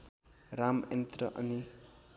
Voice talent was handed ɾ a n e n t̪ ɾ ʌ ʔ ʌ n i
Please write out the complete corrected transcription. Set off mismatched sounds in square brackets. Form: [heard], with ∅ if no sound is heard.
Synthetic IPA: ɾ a [m] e n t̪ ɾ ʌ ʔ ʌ n i

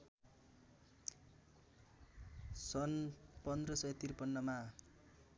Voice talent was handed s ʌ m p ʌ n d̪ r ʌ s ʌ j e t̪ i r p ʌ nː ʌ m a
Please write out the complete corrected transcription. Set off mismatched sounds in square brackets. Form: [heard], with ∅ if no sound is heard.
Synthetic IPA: s ʌ [n] p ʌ n d̪ r ʌ s ʌ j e t̪ i r p ʌ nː ʌ m a

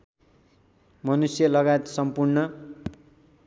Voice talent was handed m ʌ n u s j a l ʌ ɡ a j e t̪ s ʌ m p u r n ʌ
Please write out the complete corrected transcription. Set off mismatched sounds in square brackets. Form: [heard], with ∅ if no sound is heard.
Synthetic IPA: m ʌ n u s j [ʌ] l ʌ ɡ a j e t̪ s ʌ m p u r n ʌ

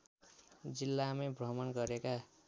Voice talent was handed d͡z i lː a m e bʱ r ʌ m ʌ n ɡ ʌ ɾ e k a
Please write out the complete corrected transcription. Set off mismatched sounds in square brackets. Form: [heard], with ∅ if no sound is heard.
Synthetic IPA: d͡z i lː a m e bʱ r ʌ m ʌ n ɡ ʌ ɾ e k a

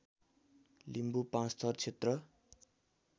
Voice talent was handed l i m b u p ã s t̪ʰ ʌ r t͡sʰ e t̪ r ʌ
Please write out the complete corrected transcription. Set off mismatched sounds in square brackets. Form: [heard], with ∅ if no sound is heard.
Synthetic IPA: l i m b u p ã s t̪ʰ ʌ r t͡sʰ e t̪ r ʌ

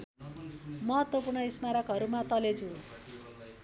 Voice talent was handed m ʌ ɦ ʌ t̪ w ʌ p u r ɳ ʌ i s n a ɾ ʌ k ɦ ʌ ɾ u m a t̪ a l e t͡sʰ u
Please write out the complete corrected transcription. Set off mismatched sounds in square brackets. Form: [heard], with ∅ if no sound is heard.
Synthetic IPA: m ʌ ɦ ʌ t̪ w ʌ p u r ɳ ʌ i s [m] a ɾ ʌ k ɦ ʌ ɾ u m a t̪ [ʌ] l e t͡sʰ u

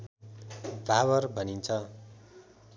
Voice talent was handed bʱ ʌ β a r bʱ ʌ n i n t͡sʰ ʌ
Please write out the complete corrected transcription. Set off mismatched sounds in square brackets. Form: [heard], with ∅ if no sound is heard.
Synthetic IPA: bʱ [a] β [ʌ] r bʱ ʌ n i n t͡sʰ ʌ

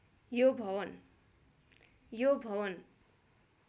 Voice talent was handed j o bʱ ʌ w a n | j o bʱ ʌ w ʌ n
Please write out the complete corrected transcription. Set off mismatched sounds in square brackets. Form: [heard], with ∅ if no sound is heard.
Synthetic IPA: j o bʱ ʌ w [ʌ] n | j o bʱ ʌ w ʌ n

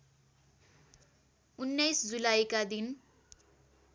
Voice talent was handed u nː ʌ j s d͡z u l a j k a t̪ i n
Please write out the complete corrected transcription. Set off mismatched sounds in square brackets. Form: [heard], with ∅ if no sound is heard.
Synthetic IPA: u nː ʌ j s d͡z u l a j k a [d̪] i n

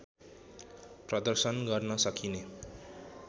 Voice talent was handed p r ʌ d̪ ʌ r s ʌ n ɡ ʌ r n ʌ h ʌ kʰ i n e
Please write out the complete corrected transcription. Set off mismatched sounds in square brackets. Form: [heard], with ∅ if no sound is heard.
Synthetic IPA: p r ʌ d̪ ʌ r s ʌ n ɡ ʌ r n ʌ [s] ʌ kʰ i n e

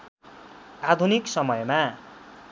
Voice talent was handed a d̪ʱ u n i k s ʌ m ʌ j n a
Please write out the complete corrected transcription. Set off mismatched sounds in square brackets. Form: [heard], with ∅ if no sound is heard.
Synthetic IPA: a d̪ʱ u n i k s ʌ m ʌ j [m] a

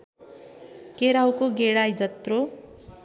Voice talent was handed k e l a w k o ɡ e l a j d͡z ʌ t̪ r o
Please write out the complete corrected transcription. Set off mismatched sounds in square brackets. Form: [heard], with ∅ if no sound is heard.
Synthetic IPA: k e [ɾ] a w k o ɡ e [ɽ] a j d͡z ʌ t̪ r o

